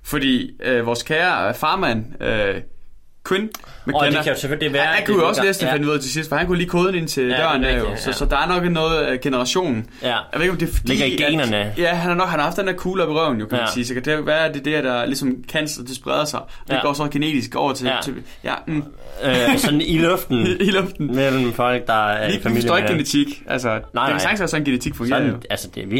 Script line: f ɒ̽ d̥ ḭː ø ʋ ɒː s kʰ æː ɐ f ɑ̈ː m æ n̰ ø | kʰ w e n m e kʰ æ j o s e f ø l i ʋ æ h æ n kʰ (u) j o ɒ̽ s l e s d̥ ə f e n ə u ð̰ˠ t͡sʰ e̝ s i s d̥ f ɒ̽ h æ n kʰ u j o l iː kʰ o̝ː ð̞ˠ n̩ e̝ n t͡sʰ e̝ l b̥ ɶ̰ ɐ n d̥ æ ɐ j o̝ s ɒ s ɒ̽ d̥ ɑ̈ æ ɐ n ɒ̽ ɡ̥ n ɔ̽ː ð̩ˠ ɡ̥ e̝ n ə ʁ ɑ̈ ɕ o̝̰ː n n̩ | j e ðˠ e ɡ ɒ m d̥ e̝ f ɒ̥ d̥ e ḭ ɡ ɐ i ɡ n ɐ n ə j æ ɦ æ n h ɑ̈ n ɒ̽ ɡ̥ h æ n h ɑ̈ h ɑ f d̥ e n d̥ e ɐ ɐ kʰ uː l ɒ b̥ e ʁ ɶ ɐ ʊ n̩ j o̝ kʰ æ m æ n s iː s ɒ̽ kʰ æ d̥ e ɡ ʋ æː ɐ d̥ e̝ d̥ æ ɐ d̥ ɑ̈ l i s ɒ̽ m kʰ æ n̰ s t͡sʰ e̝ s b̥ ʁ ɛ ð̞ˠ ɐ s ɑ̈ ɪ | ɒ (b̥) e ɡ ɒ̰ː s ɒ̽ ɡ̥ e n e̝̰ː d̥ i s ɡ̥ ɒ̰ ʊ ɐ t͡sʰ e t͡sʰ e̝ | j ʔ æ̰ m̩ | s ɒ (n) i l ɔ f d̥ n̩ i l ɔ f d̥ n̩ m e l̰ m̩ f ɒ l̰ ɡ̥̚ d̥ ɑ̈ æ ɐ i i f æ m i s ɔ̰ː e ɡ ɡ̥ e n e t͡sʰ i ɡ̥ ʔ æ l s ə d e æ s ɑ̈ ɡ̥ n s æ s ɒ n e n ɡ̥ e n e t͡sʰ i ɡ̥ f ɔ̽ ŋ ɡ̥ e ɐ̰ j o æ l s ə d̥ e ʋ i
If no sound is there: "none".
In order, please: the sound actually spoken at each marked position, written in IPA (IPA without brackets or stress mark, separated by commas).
u, d̥, n